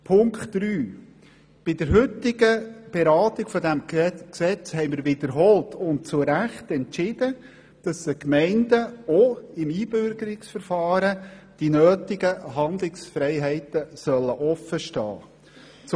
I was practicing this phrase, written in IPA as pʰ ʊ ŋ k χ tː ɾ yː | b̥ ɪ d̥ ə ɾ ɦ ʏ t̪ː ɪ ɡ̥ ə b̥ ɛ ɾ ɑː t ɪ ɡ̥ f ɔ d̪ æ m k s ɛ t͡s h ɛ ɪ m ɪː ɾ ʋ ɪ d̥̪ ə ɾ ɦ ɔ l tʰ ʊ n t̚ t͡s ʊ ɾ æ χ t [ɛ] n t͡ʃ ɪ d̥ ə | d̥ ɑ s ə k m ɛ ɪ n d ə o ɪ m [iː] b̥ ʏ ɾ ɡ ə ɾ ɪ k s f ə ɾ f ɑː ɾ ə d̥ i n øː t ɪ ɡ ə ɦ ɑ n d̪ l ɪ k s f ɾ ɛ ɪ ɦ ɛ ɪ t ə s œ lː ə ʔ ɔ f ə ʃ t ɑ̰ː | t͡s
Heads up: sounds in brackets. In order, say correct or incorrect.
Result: correct, correct

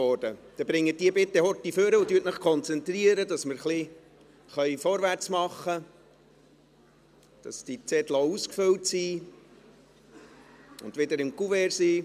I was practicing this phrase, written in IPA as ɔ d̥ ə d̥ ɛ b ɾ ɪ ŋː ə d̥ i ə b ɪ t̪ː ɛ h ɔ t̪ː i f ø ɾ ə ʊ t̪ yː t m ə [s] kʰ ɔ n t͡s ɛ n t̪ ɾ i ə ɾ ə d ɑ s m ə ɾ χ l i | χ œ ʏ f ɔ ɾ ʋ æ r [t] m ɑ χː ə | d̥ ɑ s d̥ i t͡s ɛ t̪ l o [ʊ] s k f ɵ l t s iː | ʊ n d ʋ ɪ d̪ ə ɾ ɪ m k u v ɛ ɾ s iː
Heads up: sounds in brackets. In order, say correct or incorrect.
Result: incorrect: χ, incorrect: t͡s, incorrect: u

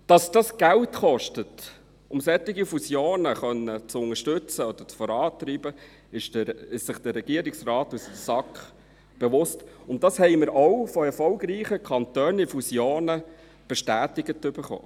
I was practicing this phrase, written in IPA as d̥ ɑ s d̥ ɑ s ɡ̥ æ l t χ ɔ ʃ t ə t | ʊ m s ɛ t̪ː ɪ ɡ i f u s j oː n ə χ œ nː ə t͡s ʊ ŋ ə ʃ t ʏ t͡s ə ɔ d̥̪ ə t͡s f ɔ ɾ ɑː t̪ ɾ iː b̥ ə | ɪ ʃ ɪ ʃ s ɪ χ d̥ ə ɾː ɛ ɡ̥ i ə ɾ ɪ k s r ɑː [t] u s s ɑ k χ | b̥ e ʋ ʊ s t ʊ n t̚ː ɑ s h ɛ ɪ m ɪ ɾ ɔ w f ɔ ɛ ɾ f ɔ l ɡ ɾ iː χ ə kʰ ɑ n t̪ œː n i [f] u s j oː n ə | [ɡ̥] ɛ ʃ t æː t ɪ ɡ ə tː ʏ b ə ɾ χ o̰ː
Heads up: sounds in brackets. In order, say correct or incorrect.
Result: correct, correct, incorrect: b̥

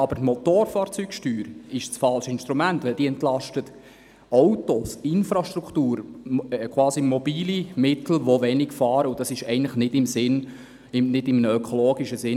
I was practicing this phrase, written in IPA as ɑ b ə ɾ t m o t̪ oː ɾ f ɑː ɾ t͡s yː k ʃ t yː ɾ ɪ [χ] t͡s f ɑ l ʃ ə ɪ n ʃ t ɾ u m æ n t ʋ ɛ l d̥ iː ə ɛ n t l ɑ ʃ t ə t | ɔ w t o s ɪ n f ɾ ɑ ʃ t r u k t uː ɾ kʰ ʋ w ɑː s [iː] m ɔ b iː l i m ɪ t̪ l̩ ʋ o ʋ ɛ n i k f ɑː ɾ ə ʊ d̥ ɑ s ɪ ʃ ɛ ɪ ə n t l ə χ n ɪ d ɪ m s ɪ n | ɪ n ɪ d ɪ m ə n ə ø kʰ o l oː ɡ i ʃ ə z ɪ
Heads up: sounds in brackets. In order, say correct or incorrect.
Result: incorrect: ʃ, incorrect: i

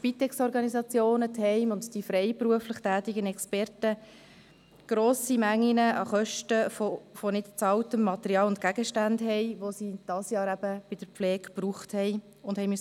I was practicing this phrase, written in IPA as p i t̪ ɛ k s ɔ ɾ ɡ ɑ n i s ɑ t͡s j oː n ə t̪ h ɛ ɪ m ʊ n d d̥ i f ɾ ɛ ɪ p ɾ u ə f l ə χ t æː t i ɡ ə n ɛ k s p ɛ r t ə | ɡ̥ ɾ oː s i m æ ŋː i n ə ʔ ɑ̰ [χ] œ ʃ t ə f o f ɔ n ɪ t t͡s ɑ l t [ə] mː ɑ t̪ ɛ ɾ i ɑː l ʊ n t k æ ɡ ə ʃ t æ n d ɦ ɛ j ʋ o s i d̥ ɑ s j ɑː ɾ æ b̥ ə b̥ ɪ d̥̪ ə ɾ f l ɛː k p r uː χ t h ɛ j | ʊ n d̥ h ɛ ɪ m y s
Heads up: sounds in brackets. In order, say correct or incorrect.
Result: correct, correct

